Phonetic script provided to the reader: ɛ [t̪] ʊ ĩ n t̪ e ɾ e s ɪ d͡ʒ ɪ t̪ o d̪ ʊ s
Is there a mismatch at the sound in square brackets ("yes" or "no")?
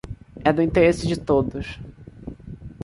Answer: yes